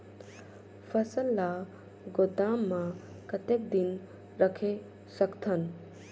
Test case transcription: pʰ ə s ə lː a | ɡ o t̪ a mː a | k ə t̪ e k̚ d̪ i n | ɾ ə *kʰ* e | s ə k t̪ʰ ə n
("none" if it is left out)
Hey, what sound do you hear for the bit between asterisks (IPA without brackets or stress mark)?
kʰ